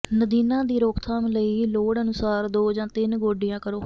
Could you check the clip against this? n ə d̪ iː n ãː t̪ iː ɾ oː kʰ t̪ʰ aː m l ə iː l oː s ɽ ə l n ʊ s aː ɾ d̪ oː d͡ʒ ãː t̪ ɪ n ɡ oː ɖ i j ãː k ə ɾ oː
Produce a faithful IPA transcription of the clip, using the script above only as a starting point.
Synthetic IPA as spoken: n ə d̪ iː n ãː d̪ iː ɾ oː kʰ t̪ʰ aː m l ə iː l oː ɽ ə n ʊ s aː ɾ d̪ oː d͡ʒ ãː t̪ ɪ n ɡ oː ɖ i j ãː k ə ɾ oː

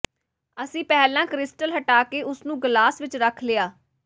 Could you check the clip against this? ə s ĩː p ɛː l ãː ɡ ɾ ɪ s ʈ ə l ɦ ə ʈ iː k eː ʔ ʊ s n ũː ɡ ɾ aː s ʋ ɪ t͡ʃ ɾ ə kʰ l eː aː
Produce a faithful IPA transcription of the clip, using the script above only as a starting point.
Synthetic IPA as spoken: ə s ĩː p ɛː l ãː k ɾ ɪ s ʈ ə l ɦ ə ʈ aː k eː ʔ ʊ s n ũː ɡ l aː s ʋ ɪ t͡ʃ ɾ ə kʰ l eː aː

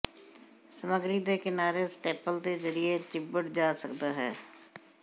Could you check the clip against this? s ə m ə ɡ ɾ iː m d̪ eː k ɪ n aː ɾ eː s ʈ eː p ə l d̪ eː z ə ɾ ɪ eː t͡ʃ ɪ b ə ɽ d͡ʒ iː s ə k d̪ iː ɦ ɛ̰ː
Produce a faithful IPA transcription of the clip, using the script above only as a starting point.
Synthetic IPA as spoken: s ə m ə ɡ ɾ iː d̪ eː k ɪ n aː ɾ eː s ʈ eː p ə l d̪ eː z ə ɾ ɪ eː t͡ʃ ɪ b ə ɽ d͡ʒ aː s ə k d̪ aː ɦ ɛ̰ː

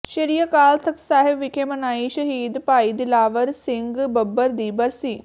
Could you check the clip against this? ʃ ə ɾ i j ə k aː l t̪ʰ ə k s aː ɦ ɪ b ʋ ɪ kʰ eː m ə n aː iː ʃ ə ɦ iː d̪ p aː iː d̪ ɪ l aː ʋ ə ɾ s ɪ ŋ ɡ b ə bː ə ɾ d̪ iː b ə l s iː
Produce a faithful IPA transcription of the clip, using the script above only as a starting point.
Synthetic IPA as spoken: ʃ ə ɾ i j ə k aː l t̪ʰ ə k s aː ɦ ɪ b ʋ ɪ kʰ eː m ə n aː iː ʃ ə ɦ iː d̪ p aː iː d̪ ɪ l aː ʋ ə ɾ s ɪ ŋ ɡ b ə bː ə ɾ d̪ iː b ə ɾ s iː

